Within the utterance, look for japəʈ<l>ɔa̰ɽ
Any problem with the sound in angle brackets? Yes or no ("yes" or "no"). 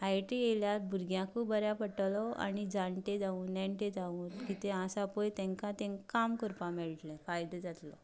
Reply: no